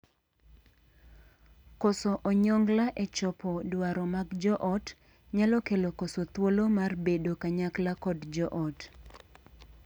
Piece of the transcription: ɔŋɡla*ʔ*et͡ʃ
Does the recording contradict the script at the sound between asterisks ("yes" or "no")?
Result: no